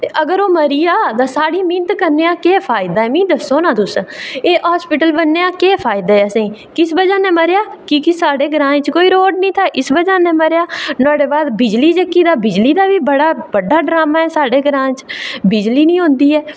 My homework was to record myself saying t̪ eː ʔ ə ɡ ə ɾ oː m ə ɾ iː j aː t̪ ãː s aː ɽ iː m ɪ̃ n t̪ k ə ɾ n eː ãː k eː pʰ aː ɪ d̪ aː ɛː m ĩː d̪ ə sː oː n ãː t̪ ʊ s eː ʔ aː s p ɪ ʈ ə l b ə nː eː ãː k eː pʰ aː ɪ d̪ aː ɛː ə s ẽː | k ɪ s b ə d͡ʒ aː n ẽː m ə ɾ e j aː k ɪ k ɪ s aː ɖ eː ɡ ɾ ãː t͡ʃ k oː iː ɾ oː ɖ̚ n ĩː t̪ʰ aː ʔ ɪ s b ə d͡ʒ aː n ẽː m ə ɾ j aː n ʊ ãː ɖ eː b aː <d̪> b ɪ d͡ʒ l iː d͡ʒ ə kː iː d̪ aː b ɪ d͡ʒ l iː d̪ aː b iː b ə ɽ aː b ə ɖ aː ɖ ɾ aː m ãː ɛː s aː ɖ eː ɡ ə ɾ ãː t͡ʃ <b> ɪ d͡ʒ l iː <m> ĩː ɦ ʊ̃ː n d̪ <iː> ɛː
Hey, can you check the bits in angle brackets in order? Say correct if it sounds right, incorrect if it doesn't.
correct, correct, incorrect, correct

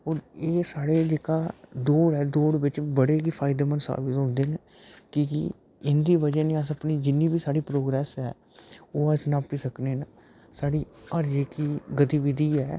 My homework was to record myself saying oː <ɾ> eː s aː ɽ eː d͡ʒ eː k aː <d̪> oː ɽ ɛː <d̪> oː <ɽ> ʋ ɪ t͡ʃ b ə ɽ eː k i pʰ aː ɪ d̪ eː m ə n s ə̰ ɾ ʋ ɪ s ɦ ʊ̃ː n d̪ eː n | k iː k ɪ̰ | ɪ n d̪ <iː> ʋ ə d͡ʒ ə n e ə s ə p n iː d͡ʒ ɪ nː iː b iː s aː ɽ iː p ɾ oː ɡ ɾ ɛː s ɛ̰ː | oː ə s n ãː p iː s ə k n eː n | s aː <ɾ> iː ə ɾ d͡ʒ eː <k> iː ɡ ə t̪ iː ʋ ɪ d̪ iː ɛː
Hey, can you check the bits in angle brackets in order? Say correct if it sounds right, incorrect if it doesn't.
correct, correct, correct, correct, correct, incorrect, correct

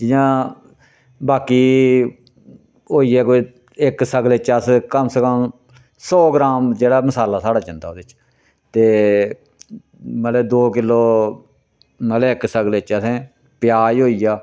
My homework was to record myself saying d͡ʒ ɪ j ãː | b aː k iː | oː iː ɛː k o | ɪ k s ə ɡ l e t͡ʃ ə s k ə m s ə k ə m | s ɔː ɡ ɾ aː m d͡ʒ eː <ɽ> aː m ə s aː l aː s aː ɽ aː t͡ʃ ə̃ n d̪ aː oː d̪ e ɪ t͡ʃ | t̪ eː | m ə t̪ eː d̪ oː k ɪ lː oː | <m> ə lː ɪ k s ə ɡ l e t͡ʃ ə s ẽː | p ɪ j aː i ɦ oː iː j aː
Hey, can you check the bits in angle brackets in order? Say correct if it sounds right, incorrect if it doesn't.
correct, correct

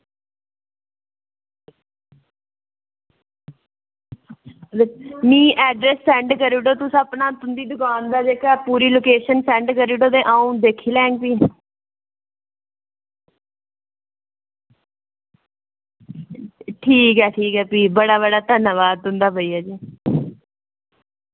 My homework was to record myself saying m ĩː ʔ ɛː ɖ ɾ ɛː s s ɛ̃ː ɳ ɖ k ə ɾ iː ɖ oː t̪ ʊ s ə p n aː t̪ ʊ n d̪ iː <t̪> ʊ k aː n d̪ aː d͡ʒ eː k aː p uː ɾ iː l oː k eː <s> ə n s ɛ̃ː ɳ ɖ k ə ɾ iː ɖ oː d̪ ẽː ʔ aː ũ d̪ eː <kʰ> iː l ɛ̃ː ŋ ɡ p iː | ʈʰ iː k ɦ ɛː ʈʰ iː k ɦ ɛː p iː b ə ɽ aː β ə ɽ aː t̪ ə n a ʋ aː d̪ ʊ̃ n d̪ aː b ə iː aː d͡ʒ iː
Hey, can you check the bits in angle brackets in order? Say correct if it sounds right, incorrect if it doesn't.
incorrect, incorrect, correct

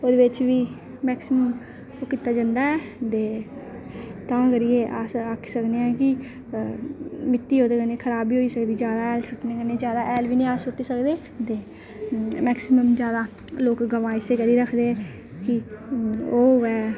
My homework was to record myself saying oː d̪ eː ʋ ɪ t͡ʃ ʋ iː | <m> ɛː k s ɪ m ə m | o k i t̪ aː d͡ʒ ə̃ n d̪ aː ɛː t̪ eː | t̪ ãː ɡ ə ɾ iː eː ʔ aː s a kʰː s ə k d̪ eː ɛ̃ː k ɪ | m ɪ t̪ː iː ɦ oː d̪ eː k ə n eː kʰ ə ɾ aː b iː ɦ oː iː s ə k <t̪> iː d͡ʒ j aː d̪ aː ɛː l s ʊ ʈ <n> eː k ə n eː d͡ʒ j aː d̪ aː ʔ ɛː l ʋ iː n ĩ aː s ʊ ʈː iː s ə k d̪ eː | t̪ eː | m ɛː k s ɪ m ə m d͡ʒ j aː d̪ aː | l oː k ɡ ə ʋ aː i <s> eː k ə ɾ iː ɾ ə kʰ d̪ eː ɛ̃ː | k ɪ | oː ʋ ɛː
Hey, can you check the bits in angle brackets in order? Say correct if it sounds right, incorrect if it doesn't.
correct, incorrect, correct, correct

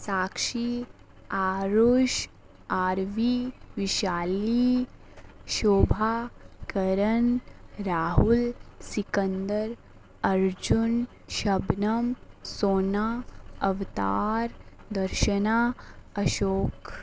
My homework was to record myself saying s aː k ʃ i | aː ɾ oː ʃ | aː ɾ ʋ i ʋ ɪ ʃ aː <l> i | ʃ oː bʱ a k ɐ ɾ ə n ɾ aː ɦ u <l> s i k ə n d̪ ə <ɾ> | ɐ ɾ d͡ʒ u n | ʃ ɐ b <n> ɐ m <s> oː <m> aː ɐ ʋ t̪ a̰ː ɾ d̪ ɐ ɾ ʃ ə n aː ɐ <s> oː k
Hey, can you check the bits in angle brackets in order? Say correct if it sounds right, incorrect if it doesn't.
correct, correct, correct, correct, correct, incorrect, incorrect

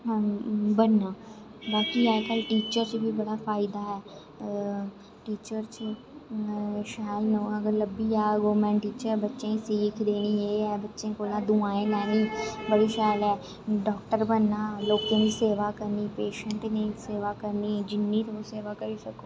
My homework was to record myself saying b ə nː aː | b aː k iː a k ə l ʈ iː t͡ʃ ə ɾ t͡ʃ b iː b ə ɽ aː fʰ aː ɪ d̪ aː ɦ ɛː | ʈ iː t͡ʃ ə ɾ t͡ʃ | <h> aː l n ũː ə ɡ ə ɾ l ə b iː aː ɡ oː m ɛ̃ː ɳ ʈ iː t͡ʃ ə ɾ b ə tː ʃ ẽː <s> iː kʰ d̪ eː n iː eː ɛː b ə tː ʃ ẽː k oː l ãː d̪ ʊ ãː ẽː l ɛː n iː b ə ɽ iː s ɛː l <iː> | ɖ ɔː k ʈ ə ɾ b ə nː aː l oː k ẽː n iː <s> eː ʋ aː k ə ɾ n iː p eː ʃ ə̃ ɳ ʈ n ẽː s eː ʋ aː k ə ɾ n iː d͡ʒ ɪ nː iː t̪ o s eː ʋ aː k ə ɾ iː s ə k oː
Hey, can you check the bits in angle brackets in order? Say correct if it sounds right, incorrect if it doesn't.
incorrect, correct, incorrect, correct

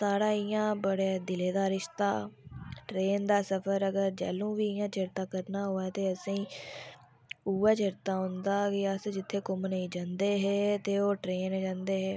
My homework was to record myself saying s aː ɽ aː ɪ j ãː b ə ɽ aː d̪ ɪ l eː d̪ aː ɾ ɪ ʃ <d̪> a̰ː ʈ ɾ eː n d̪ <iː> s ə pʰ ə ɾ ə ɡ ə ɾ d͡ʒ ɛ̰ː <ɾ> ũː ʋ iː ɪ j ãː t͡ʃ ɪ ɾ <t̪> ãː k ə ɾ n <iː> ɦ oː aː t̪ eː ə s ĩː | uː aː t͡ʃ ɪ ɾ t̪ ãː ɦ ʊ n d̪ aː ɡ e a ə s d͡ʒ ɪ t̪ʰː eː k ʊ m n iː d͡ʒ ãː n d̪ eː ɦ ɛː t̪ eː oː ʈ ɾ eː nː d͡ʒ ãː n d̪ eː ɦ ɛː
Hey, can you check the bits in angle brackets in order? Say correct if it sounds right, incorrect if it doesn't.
incorrect, incorrect, incorrect, correct, incorrect

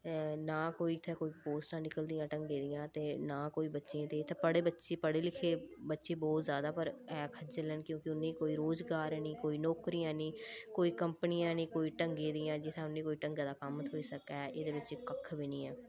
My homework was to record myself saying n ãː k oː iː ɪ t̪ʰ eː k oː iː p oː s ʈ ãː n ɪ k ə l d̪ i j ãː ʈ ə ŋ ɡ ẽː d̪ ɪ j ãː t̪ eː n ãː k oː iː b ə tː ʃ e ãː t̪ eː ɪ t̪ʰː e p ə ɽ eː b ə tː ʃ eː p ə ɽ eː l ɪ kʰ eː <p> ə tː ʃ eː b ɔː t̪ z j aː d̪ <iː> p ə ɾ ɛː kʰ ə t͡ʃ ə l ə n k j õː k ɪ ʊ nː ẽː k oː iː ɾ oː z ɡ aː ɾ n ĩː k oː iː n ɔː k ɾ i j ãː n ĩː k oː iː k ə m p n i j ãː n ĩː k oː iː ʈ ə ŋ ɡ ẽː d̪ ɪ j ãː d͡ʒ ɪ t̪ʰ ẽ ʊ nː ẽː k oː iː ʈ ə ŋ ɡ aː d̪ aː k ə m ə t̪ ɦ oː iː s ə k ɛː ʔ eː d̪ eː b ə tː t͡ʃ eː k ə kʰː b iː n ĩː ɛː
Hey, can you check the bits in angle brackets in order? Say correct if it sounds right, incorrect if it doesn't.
incorrect, incorrect

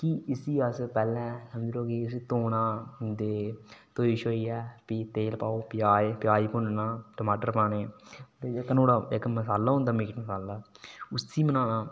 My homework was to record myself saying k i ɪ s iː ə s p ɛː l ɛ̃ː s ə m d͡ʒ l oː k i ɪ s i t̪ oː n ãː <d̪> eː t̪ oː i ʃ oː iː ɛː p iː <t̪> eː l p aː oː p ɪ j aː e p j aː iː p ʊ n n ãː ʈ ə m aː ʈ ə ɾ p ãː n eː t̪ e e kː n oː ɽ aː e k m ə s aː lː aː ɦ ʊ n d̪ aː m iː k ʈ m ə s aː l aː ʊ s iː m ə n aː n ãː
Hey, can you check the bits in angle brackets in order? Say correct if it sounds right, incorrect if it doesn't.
correct, correct

